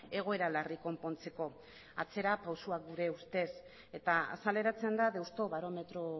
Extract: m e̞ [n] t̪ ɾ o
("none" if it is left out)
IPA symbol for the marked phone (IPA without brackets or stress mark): none